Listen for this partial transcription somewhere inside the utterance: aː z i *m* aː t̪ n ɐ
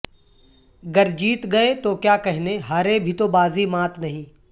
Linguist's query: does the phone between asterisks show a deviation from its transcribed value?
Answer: no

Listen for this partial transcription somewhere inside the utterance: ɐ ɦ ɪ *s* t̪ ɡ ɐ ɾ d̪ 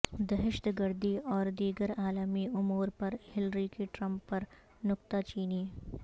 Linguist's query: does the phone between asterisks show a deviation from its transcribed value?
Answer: yes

